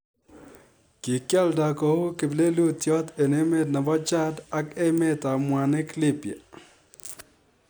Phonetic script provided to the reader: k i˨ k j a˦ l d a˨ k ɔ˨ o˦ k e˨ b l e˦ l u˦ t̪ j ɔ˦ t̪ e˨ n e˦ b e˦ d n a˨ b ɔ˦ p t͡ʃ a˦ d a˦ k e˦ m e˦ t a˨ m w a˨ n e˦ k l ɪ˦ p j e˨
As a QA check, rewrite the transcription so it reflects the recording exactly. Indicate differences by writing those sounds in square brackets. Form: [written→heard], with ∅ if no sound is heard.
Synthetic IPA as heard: k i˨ k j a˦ l d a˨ k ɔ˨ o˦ k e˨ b l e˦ l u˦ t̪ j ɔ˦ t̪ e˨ n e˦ [b→m] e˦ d n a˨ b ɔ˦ [p→∅] t͡ʃ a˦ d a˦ k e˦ m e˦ t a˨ m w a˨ n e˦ k l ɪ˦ p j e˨